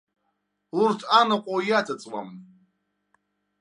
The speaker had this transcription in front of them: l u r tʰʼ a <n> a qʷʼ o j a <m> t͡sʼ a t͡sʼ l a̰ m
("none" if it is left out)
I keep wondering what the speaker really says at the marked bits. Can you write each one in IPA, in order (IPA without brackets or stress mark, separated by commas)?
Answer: n, none